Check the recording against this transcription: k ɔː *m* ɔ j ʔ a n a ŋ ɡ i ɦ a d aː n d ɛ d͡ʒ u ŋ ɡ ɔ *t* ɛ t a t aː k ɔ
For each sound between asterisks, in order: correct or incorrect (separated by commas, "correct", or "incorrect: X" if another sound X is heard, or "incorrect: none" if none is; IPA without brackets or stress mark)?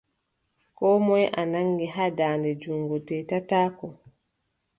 correct, correct